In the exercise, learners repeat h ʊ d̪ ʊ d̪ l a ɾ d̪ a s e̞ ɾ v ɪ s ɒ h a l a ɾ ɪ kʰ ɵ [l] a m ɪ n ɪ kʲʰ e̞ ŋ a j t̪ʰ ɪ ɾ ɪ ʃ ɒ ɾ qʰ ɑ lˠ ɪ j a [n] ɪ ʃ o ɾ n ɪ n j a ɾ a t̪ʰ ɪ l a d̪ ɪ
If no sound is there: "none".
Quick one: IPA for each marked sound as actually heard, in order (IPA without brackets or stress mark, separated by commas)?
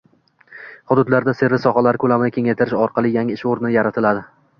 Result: l, ŋ